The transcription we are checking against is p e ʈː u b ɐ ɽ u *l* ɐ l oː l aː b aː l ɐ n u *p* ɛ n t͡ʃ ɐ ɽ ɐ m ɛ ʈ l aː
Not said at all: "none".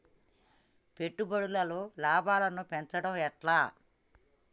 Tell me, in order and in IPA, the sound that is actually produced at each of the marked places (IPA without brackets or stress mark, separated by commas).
l, p